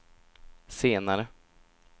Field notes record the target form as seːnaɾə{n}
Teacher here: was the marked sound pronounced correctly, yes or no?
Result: no